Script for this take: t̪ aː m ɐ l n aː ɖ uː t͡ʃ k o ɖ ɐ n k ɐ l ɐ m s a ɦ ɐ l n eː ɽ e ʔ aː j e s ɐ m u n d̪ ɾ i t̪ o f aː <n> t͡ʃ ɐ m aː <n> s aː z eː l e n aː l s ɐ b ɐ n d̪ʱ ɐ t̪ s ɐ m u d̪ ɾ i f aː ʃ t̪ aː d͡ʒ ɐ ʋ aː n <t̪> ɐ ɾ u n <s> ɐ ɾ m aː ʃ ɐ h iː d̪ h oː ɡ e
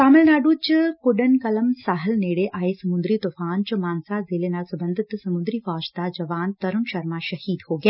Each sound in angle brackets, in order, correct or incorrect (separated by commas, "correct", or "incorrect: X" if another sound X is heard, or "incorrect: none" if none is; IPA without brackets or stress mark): correct, correct, correct, incorrect: ʃ